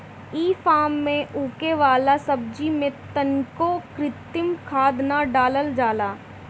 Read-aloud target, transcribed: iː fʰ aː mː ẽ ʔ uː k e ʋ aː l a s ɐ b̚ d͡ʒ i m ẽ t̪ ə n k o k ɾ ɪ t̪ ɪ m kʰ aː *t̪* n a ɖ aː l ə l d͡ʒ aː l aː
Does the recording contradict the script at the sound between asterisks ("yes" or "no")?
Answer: yes